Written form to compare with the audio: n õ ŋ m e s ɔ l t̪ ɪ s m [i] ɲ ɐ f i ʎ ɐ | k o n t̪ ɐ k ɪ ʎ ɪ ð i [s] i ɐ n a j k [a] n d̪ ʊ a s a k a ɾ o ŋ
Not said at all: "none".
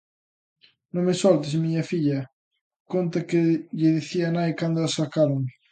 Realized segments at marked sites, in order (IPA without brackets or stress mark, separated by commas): i, θ, a